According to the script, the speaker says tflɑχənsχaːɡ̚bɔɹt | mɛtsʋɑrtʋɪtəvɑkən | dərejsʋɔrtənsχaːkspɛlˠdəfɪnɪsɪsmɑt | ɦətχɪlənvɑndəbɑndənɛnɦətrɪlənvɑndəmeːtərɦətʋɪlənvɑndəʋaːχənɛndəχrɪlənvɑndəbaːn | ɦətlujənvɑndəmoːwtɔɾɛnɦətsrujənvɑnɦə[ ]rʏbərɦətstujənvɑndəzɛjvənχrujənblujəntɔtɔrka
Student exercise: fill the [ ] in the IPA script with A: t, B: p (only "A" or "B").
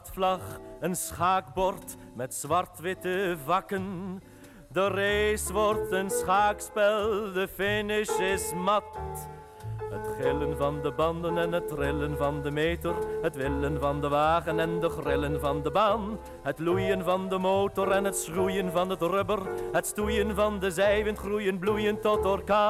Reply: A